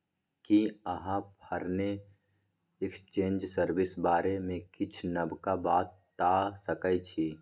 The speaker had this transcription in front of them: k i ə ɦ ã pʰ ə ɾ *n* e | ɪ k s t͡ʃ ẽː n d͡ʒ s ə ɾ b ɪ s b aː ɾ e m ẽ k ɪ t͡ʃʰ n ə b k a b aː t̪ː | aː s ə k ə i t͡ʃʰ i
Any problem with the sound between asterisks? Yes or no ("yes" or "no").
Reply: no